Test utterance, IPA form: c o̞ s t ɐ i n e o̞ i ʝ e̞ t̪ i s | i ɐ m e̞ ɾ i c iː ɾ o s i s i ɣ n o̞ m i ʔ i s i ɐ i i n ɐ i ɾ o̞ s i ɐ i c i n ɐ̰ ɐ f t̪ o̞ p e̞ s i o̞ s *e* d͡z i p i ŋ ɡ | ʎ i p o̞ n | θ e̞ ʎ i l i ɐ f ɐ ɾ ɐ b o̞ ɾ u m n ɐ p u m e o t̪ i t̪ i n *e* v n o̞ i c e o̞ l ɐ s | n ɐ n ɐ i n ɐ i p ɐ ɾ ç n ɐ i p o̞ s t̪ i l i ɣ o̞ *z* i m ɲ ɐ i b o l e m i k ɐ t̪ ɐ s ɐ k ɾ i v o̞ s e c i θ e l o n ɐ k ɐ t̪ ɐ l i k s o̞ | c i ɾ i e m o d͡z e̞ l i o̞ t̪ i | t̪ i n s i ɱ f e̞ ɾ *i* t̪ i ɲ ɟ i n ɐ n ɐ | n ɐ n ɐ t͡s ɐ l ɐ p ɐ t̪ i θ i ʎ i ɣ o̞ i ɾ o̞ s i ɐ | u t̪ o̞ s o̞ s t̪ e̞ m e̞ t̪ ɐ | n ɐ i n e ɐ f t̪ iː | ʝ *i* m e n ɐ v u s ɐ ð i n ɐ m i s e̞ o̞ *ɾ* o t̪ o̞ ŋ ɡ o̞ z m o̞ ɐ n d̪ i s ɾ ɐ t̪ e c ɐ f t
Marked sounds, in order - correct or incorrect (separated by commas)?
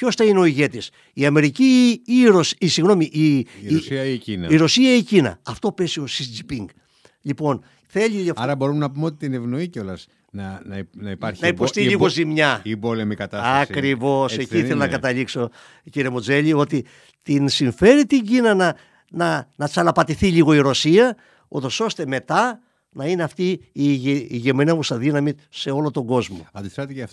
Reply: incorrect, correct, correct, correct, incorrect, incorrect